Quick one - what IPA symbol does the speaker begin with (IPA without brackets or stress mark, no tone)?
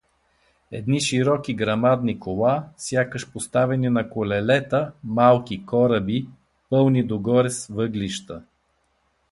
ɛ